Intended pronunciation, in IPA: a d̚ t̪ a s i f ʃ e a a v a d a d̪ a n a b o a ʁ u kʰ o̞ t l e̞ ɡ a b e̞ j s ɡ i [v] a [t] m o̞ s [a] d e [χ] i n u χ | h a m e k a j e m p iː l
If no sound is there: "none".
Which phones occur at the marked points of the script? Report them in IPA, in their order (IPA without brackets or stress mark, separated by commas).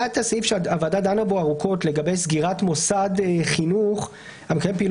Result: ʁ, t, a, χ